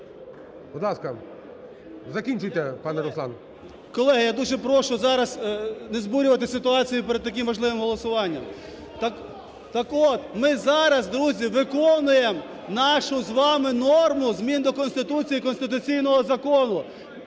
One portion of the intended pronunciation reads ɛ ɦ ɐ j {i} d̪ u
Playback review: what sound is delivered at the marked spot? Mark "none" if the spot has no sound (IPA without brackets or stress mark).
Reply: a